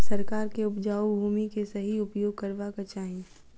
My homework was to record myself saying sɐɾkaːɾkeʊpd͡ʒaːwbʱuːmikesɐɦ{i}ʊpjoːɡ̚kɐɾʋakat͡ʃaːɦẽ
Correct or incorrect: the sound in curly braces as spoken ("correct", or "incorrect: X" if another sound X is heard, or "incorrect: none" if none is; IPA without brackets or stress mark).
correct